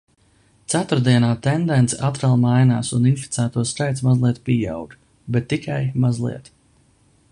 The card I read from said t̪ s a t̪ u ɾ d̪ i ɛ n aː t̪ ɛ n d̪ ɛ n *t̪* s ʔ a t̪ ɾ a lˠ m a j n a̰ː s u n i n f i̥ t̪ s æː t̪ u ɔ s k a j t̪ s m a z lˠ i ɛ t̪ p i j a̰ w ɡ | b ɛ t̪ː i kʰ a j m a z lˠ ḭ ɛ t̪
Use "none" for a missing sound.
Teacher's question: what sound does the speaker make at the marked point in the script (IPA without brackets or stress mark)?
t̪